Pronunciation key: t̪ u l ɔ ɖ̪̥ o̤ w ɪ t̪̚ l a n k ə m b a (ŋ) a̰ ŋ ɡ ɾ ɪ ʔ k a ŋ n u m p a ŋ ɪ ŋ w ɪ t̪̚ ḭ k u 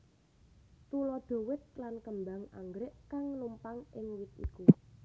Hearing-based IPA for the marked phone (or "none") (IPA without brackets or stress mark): ŋ